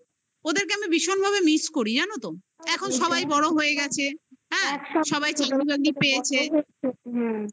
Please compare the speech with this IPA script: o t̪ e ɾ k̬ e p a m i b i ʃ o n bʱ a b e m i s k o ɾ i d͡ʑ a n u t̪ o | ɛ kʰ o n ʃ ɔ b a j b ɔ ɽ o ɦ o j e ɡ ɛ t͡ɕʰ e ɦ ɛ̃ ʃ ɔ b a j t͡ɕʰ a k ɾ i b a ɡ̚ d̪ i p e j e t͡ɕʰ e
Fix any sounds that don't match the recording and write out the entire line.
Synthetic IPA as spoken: o d̪ e ɾ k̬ e a m i b i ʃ o n bʱ a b e m i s k o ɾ i d͡ʑ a n o t̪ o | ɛ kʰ o n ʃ ɔ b a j b ɔ ɽ o ɦ o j e ɡ ɛ t͡ɕʰ e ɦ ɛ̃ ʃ ɔ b a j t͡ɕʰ a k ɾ i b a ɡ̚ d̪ i p e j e t͡ɕʰ e